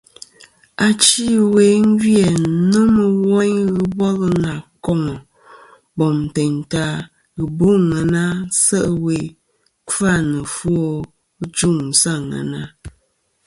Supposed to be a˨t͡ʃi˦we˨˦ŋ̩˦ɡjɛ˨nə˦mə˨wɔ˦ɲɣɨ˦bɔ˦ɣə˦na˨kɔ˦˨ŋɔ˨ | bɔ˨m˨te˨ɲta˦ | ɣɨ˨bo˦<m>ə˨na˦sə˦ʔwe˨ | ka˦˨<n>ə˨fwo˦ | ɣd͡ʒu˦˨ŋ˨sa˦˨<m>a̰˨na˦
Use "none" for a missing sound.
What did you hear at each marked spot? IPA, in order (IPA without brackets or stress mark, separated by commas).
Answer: ŋ, n, ŋ